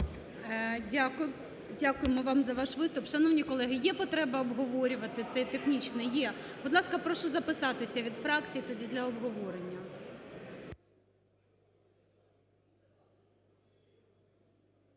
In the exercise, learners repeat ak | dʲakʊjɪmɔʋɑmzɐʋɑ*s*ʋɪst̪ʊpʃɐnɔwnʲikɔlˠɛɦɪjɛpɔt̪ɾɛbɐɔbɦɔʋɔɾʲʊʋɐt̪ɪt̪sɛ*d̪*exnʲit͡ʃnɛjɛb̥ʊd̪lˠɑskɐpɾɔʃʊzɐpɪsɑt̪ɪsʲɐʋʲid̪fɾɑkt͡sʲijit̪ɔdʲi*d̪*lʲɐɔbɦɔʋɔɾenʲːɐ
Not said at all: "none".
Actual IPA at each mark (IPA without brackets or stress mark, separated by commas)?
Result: ʃ, t̪, d̪